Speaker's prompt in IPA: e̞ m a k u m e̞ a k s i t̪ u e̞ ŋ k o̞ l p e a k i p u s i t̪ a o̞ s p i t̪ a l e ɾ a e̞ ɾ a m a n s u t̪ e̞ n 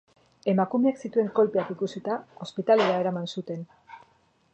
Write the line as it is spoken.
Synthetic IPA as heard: e̞ m a k u m e̞ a k s i t̪ u e̞ ŋ k o̞ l p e a k i k u s i t̪ a o̞ s p i t̪ a l e ɾ a e̞ ɾ a m a n s u t̪ e̞ n